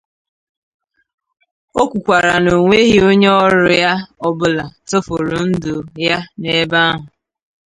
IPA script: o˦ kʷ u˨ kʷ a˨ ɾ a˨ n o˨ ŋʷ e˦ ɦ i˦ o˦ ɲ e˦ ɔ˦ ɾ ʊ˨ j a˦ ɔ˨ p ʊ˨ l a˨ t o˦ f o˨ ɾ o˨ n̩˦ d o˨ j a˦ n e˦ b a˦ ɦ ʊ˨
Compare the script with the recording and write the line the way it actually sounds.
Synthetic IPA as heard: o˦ kʷ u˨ kʷ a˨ ɾ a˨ n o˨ ŋʷ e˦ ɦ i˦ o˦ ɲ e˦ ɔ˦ ɾ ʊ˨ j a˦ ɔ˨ b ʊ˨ l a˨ t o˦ f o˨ ɾ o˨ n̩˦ d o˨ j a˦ n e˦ b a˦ ɦ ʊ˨